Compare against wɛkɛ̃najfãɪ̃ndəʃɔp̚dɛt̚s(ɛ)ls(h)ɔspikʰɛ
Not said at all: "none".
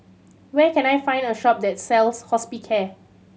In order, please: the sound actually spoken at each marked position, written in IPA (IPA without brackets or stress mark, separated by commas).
ɛ, h